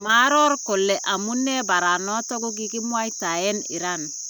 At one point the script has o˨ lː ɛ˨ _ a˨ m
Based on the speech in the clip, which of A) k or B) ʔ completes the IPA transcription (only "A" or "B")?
B